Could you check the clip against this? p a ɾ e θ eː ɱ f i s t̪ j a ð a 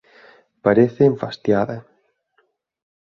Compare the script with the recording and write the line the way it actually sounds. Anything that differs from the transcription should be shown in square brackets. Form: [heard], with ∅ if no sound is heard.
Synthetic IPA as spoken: p a ɾ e θ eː ɱ f [a] s t̪ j a ð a